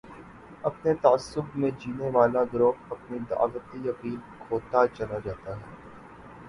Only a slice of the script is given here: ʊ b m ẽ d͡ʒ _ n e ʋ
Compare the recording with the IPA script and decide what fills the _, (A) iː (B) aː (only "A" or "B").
A